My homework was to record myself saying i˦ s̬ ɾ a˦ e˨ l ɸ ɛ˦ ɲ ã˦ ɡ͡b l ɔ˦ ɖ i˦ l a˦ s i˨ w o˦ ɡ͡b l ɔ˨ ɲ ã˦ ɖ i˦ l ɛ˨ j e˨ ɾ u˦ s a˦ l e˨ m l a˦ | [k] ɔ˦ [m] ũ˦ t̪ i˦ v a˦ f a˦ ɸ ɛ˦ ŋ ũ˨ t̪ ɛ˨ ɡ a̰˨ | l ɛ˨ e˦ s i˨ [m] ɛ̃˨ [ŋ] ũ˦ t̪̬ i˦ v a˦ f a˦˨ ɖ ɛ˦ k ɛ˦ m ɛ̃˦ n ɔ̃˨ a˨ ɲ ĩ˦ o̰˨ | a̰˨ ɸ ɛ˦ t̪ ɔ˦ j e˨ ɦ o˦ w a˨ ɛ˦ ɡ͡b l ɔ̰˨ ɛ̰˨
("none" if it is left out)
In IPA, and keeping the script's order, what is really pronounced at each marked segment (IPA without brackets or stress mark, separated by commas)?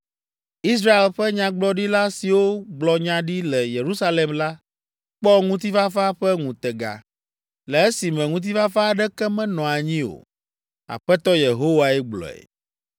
k͡p, ŋ, m, ŋ